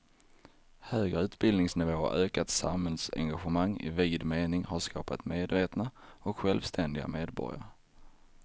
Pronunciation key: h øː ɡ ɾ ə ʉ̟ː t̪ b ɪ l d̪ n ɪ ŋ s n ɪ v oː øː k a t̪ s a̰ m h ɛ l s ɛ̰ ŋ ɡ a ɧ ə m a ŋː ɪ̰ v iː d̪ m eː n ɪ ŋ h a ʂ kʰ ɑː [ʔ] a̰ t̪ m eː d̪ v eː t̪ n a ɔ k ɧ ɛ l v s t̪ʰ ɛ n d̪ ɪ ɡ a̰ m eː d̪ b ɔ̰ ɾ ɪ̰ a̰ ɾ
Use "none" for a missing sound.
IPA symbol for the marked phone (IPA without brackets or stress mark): p